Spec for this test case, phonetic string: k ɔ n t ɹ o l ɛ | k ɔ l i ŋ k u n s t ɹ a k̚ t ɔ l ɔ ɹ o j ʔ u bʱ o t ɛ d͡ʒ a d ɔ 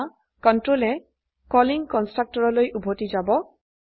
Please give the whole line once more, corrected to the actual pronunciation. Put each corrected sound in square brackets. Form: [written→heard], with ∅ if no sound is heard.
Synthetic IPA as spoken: k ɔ n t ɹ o l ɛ | k ɔ l i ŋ k [u→ɔ] n s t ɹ a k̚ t ɔ [l→ɹ] ɔ [ɹ→l] o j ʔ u bʱ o t [ɛ→i] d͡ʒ a [d→b] ɔ